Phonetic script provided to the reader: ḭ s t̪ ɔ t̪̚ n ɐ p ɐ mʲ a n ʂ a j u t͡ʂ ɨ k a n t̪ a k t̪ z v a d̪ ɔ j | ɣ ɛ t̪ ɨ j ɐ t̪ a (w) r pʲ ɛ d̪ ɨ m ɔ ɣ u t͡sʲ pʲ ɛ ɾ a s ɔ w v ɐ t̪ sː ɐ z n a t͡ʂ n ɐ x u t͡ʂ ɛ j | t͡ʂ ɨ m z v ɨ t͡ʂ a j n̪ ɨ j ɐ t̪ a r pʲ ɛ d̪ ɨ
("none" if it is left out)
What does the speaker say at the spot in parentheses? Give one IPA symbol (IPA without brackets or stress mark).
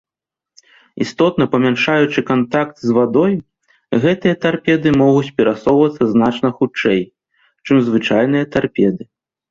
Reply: none